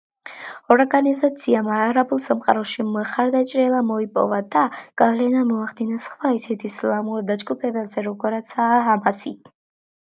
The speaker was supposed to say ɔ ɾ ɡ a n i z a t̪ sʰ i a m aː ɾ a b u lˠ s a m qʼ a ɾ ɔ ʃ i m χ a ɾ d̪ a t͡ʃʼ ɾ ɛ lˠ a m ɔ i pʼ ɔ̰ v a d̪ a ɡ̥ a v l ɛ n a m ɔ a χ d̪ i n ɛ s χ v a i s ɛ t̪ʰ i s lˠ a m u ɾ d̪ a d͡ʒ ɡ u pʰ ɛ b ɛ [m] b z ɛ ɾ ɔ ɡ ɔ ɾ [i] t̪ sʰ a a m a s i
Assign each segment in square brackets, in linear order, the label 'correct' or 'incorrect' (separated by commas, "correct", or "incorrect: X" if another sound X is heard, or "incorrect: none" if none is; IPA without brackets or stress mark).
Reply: incorrect: none, incorrect: a